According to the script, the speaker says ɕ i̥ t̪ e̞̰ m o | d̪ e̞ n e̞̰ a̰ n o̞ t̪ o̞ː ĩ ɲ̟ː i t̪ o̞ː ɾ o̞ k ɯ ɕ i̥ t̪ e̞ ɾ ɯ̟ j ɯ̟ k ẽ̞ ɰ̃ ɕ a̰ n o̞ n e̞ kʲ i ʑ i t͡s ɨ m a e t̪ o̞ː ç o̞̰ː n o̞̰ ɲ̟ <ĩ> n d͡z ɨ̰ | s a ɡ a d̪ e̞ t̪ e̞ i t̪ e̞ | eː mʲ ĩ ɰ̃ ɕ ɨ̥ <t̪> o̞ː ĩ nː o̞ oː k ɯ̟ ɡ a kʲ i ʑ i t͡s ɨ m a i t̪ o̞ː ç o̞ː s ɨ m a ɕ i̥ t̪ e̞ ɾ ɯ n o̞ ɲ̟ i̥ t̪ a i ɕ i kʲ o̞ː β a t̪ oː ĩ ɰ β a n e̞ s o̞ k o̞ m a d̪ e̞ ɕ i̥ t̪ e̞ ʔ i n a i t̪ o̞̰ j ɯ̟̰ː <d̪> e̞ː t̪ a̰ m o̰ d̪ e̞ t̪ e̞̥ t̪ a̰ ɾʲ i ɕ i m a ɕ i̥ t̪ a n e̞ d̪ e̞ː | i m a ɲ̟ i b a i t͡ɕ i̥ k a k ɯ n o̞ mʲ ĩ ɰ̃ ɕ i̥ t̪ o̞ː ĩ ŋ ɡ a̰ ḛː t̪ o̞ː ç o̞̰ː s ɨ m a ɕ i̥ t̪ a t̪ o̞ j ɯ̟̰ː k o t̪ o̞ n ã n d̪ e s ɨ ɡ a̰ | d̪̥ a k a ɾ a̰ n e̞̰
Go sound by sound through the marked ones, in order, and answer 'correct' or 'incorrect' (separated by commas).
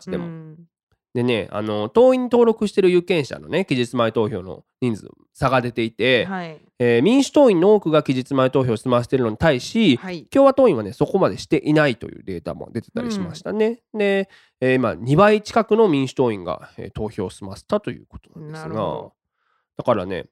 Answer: correct, correct, correct